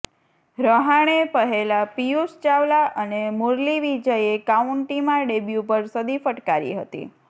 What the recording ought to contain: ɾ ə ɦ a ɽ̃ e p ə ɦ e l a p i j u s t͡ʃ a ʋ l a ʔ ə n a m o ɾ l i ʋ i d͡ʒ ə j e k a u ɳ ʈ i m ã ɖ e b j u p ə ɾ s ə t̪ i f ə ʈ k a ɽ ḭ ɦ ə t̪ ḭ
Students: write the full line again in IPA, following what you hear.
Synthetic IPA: ɾ ə ɦ a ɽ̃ e p ə ɦ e l a p i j u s t͡ʃ a ʋ l a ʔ ə n e m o ɾ l i ʋ i d͡ʒ ə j e k a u ɳ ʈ i m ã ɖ e b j u p ə ɾ s ə d̪ i f ə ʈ k a ɾ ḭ ɦ ə t̪ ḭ